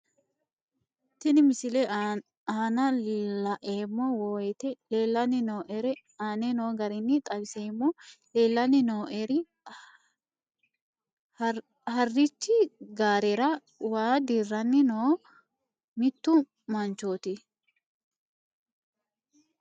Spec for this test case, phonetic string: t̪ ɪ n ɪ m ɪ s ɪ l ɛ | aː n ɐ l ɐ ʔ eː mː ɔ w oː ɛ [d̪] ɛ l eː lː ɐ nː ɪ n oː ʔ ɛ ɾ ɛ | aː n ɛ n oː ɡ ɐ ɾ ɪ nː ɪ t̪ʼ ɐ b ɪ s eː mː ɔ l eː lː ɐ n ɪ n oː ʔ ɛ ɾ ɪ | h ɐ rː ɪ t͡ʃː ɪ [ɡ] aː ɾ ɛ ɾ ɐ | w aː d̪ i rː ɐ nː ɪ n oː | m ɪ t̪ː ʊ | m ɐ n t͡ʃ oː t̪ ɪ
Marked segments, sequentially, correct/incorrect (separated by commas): incorrect, correct